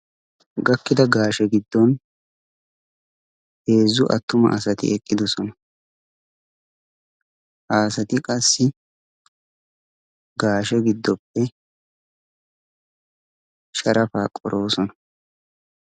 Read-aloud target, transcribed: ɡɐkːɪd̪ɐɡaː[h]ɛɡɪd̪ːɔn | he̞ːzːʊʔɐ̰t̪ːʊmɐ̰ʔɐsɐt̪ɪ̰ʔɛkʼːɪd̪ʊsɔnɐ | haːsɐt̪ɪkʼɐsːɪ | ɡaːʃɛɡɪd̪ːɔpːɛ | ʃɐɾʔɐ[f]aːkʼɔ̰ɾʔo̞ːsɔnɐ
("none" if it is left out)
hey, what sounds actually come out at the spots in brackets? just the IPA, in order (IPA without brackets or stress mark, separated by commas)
ʃ, f